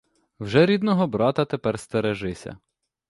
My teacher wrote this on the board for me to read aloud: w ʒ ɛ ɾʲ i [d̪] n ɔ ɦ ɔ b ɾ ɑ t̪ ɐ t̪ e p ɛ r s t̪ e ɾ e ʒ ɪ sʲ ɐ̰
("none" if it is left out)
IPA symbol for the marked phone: d̪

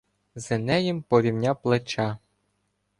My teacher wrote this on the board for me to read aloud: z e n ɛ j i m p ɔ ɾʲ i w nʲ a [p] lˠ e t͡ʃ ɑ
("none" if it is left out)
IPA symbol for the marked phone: p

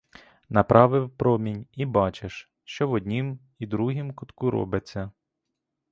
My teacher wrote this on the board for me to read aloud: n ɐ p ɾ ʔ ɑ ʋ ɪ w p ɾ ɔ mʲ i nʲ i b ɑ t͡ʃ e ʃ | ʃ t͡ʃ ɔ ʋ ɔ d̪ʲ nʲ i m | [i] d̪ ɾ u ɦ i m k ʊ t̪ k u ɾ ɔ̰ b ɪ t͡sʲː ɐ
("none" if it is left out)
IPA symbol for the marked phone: i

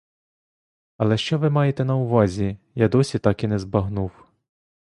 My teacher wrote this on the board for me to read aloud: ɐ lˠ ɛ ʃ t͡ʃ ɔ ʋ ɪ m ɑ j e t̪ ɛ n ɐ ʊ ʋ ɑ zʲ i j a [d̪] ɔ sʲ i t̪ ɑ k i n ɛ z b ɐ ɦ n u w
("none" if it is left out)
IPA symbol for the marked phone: d̪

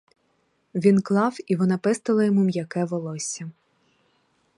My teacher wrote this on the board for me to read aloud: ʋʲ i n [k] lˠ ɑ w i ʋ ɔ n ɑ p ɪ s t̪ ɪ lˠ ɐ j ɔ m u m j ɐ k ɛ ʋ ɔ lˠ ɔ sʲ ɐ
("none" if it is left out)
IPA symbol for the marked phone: k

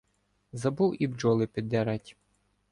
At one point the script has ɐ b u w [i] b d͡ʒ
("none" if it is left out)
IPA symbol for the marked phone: i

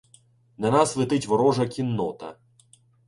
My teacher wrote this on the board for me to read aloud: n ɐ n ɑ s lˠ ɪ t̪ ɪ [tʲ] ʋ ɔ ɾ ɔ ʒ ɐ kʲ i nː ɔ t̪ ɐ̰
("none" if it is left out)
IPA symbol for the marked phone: tʲ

